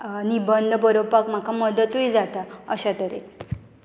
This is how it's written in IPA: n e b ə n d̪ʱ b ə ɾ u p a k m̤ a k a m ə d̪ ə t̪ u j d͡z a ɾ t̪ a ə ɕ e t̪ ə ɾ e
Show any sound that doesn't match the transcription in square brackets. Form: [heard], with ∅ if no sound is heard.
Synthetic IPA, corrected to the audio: n [i] b ə n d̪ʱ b ə ɾ [o] p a k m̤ a k a m ə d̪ ə t̪ u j d͡z a [∅] t̪ a ə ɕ [a] t̪ ə ɾ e